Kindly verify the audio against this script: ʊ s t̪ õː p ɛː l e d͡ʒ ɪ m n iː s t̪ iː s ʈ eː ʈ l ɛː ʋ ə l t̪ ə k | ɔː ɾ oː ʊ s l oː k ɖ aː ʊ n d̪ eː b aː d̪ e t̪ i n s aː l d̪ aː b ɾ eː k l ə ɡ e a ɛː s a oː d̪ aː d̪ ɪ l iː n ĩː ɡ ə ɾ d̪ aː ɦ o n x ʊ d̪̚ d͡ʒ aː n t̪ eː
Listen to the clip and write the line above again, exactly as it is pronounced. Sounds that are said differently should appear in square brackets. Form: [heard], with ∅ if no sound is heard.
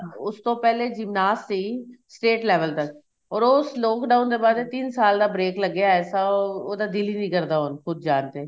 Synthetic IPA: ʊ s t̪ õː p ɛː l e d͡ʒ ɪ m n [aː] s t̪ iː s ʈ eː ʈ l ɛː ʋ ə l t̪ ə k | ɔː ɾ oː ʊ s l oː k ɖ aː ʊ n d̪ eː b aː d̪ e t̪ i n s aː l d̪ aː b ɾ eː k l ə ɡ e a ɛː s a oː d̪ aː d̪ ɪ l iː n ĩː [k] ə ɾ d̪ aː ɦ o n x ʊ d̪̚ d͡ʒ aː n t̪ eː

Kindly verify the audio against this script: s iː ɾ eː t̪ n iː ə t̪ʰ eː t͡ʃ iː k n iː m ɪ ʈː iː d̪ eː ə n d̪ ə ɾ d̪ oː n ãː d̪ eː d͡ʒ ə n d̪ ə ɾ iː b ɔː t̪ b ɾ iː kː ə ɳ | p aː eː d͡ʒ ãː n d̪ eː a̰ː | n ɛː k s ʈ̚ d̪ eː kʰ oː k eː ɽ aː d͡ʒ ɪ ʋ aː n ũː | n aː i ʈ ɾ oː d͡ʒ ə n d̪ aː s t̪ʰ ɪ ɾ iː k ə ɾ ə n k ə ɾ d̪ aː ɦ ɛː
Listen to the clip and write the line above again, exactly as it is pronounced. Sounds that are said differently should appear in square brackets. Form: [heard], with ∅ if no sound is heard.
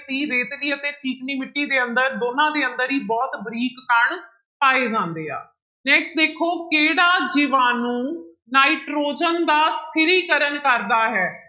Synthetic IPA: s iː ɾ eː t̪ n iː ə [t̪] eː t͡ʃ iː k n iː m ɪ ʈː iː d̪ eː ə n d̪ ə ɾ d̪ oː n ãː d̪ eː [∅] ə n d̪ ə ɾ iː b ɔː t̪ b ɾ iː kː ə ɳ | p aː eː d͡ʒ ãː n d̪ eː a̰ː | n ɛː k s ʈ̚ d̪ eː kʰ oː k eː ɽ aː d͡ʒ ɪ ʋ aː n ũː | n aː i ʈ ɾ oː d͡ʒ ə n d̪ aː s t̪ʰ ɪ ɾ iː k ə ɾ ə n k ə ɾ d̪ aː ɦ ɛː

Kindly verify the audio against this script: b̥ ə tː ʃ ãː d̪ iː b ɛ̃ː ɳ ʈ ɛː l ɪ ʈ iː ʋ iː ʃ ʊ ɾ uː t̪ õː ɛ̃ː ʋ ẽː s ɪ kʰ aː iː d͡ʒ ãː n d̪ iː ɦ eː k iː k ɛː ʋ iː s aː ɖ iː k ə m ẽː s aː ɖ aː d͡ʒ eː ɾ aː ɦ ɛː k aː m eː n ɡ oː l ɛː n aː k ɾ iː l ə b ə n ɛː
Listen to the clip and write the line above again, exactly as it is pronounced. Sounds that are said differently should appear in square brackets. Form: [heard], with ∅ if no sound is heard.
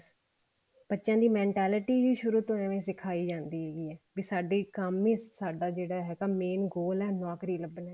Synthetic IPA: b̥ ə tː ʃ ãː d̪ iː [m] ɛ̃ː ɳ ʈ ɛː l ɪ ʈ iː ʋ iː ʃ ʊ ɾ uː t̪ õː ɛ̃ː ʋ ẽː s ɪ kʰ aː iː d͡ʒ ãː n d̪ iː ɦ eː [ɡ] iː [∅] ɛː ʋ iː s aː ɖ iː k ə m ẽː s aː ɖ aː d͡ʒ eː [ɽ] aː ɦ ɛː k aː m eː n ɡ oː l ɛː n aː k ɾ iː l ə b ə n ɛː

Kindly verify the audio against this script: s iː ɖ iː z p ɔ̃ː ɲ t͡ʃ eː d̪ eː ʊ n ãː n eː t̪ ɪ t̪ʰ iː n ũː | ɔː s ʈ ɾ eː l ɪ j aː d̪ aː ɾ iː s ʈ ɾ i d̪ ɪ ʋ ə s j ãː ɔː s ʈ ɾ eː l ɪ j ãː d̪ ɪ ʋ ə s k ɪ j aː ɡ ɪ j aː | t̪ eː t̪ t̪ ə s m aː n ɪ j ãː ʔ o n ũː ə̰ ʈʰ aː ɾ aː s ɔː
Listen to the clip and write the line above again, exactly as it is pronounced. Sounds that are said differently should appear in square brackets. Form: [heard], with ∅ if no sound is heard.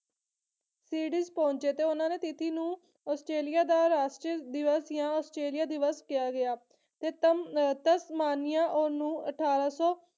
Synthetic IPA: s iː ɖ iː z p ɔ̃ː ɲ t͡ʃ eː [t̪] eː ʊ n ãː n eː t̪ ɪ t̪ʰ iː n ũː | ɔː s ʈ ɾ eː l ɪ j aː d̪ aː ɾ [aː] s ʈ ɾ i d̪ ɪ ʋ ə s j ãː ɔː s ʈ ɾ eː l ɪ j [aː] d̪ ɪ ʋ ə s k ɪ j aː ɡ ɪ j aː | t̪ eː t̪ t̪ ə s m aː n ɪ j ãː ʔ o n ũː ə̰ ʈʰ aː ɾ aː s ɔː

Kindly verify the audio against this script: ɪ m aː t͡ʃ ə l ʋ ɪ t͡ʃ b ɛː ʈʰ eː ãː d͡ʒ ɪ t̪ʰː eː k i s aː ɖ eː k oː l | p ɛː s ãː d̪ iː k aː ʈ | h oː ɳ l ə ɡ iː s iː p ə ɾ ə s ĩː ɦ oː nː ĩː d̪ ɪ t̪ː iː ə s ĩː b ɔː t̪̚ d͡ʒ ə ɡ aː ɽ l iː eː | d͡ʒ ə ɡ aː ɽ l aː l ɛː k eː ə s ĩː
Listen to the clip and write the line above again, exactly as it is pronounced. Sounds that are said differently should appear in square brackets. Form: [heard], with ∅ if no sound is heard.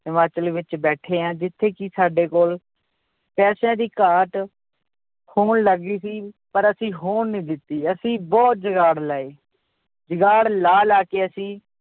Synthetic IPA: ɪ m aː t͡ʃ ə l ʋ ɪ t͡ʃ b ɛː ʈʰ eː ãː d͡ʒ ɪ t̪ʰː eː k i s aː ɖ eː k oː l | p ɛː s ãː d̪ iː k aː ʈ | h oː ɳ l ə ɡ iː s iː p ə ɾ ə s ĩː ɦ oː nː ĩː d̪ ɪ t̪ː iː ə s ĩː b ɔː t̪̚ d͡ʒ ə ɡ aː ɽ l [aː] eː | d͡ʒ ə ɡ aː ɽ l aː l [aː] k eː ə s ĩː

